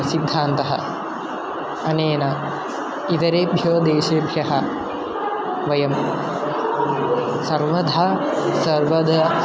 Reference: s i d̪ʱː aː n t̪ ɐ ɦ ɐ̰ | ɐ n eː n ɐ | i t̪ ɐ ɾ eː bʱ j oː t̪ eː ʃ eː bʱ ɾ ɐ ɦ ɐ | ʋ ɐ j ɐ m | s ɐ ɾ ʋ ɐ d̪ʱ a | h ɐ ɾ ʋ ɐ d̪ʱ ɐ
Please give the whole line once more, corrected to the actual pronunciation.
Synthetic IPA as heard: s i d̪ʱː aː n t̪ ɐ ɦ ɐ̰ | ɐ n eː n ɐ | i t̪ ɐ ɾ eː bʱ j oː d̪ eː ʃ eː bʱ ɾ ɐ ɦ ɐ | ʋ ɐ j ɐ m | s ɐ ɾ ʋ ɐ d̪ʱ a | s ɐ ɾ ʋ ɐ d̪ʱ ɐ